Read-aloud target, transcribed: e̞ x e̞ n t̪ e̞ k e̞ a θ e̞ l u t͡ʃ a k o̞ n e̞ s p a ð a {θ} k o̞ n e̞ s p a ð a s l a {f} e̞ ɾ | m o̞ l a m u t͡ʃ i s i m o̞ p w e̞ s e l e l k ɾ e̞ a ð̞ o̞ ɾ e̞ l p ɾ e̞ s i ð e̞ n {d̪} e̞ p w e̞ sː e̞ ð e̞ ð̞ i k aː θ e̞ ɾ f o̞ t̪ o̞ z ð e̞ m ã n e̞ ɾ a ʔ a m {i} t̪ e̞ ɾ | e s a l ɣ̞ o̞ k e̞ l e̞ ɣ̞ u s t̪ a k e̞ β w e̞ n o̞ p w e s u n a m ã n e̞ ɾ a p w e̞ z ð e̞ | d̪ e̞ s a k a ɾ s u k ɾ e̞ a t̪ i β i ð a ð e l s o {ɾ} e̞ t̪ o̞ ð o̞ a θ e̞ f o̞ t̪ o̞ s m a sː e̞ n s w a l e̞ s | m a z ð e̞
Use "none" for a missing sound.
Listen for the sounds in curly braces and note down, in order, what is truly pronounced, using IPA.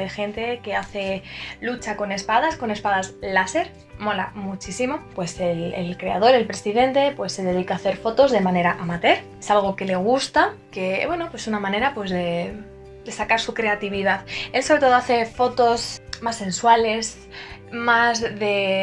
s, s, t̪, a, ɾ

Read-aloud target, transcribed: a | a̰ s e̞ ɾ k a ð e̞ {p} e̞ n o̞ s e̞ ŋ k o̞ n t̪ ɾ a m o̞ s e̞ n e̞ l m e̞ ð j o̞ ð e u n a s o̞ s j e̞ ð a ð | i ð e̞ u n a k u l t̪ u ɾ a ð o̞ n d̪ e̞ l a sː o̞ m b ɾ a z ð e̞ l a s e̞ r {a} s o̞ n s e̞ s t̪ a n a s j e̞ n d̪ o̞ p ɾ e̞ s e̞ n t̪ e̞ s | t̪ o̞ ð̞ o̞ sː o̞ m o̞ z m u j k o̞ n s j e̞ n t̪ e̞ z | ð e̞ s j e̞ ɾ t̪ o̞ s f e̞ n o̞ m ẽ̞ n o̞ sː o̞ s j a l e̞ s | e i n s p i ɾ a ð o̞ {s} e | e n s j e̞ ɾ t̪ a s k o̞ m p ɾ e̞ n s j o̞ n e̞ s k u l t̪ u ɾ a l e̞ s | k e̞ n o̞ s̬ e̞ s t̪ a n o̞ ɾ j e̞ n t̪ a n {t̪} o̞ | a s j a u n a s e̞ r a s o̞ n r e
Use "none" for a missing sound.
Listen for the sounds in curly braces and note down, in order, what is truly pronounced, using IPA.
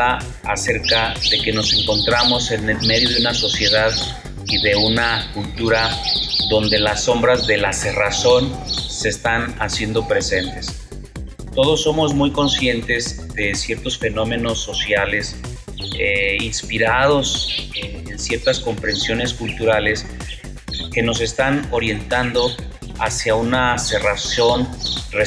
k, a, s, d̪

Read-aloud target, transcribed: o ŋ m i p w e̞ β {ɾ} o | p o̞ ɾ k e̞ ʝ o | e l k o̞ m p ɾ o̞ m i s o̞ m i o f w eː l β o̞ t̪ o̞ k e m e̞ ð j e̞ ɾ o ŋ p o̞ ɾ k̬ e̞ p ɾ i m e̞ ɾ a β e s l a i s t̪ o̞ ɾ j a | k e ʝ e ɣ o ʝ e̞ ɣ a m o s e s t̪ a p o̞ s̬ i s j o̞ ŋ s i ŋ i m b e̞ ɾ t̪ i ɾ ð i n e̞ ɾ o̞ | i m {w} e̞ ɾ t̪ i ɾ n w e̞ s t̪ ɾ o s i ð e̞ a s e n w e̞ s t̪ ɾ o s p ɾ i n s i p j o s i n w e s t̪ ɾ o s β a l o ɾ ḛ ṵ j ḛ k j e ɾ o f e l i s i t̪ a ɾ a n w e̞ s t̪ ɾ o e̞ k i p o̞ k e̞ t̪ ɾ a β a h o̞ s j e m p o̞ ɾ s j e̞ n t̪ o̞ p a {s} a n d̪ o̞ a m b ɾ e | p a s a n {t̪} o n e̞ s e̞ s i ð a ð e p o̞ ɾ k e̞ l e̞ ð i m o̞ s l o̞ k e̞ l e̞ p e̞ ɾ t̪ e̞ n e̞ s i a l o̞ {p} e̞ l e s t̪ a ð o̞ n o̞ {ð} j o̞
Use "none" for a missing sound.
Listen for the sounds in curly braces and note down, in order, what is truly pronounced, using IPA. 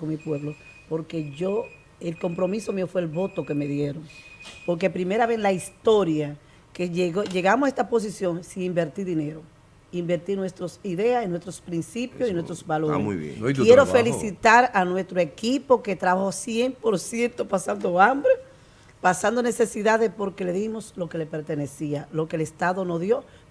l, b, s, d̪, k, ð

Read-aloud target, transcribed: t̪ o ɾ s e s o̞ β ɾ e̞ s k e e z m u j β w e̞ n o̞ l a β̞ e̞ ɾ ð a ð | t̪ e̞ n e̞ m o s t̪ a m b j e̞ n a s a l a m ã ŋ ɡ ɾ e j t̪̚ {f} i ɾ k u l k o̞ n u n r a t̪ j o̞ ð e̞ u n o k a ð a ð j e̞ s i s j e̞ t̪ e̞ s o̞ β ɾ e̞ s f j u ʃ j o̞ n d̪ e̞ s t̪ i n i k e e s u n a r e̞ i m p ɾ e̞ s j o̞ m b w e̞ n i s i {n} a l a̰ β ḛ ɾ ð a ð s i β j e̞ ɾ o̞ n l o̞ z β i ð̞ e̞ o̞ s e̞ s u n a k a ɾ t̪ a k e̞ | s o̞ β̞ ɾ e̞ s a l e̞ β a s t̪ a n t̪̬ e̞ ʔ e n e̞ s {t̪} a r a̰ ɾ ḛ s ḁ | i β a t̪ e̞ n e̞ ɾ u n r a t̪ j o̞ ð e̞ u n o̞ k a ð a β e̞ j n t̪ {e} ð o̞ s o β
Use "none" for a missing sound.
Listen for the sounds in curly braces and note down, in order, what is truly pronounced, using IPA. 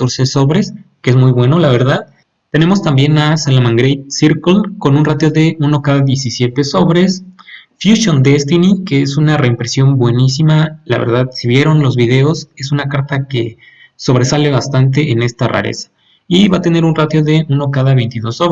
s, m, t̪, i

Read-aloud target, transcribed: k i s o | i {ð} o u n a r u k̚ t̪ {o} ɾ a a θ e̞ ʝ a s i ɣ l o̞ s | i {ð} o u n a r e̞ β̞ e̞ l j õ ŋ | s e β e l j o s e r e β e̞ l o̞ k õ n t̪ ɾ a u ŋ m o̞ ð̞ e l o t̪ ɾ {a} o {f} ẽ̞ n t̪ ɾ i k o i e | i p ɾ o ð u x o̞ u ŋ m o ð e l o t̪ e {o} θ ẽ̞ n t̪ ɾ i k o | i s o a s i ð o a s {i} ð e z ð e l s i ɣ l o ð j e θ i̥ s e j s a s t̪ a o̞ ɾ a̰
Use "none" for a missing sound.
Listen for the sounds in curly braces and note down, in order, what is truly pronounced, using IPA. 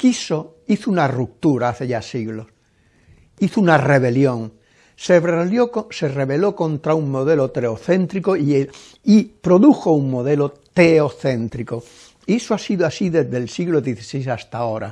θ, u, θ, e, θ, o, i

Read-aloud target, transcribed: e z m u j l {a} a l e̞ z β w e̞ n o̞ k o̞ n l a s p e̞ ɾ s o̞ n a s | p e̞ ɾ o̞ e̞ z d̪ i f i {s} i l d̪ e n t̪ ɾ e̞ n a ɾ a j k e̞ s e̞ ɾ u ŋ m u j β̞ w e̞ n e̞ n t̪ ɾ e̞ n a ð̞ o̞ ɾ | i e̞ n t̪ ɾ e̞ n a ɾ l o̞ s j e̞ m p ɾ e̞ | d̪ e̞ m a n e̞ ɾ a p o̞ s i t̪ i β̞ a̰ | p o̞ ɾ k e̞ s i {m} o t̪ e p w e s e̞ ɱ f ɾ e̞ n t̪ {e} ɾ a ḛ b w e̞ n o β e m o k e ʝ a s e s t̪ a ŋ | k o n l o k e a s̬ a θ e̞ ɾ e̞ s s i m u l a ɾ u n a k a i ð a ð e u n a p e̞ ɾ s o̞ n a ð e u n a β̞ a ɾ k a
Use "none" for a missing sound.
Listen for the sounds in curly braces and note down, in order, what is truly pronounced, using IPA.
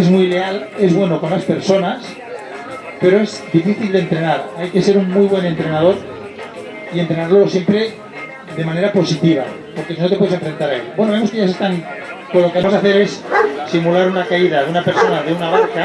e, θ, n, a

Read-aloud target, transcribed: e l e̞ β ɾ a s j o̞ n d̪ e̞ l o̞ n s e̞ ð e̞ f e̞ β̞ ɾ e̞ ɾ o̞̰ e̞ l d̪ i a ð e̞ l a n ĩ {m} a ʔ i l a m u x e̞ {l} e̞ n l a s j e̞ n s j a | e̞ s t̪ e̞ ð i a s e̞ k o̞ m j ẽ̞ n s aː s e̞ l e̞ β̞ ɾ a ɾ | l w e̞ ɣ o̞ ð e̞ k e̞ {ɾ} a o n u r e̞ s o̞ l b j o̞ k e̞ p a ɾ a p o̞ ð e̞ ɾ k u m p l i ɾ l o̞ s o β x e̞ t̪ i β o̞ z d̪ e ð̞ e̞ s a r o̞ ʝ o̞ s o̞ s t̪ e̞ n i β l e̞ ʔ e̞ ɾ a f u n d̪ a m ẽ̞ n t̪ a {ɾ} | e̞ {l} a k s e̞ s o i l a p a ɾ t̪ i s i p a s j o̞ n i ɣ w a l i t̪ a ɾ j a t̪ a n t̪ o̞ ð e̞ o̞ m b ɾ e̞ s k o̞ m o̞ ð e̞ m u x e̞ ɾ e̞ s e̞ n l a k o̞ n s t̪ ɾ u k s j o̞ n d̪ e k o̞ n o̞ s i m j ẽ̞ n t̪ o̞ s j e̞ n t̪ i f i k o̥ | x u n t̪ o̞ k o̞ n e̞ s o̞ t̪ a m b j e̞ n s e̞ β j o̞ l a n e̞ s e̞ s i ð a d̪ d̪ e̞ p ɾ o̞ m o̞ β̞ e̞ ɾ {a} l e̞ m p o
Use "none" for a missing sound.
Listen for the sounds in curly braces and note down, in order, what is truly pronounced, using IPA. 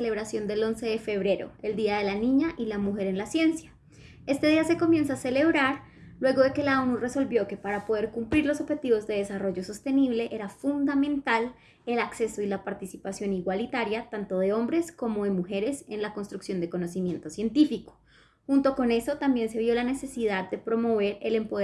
ɲ, ɾ, l, l, l, e

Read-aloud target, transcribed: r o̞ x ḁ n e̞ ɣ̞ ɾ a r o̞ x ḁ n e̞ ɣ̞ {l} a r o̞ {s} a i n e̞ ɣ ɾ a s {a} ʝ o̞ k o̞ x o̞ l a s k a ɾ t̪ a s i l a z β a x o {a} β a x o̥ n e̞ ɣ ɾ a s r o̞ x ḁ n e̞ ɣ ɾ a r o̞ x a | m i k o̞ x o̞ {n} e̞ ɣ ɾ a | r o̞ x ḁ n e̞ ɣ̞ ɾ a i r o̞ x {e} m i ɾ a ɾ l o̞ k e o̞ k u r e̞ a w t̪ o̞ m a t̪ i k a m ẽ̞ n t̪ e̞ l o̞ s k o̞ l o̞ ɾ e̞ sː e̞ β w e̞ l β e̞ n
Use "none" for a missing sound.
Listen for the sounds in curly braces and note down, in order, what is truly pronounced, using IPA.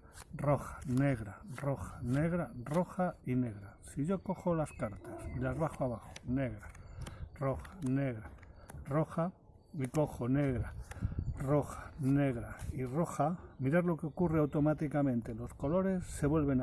ɾ, x, i, a, n, a

